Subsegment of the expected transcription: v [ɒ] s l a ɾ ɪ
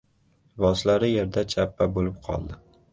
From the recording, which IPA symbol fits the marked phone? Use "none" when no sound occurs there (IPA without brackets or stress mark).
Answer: ɒ